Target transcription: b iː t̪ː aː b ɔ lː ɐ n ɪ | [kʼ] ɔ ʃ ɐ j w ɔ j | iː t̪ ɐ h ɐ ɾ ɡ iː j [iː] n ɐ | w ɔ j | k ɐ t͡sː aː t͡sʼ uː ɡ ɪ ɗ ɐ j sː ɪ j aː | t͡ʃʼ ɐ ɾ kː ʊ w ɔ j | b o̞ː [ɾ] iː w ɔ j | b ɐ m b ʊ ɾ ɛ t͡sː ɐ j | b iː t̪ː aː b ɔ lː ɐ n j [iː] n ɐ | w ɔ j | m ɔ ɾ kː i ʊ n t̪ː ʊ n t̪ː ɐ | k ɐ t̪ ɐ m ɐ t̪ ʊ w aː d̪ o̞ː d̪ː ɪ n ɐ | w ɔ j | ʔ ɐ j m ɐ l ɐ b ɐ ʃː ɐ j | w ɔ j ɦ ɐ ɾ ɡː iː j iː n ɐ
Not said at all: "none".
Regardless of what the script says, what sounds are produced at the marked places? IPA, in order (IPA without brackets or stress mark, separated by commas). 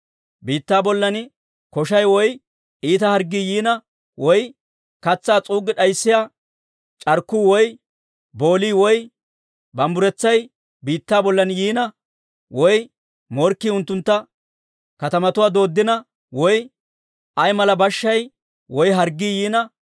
k, iː, l, iː